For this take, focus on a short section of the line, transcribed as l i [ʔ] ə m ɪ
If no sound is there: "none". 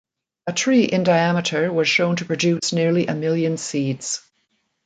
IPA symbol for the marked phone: ʔ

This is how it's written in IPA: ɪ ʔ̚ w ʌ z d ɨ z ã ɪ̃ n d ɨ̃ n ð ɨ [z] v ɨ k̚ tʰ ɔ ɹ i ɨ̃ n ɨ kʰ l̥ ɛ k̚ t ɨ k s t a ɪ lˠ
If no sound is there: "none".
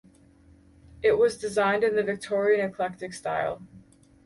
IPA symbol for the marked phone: none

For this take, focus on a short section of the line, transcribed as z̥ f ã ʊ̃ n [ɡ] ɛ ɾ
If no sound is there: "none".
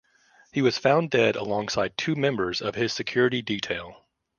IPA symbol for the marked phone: d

